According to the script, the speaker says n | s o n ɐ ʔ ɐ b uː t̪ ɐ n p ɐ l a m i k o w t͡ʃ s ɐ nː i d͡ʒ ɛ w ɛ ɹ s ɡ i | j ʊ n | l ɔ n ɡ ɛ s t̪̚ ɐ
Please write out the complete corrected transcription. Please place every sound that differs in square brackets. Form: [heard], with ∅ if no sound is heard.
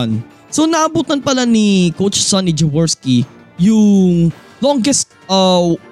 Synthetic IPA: n | s o n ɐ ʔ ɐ b uː t̪ ɐ n p ɐ l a [n] i k o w t͡ʃ s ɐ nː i d͡ʒ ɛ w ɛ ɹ s [k] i | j ʊ [ŋ] | l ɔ [ŋ] ɡ ɛ s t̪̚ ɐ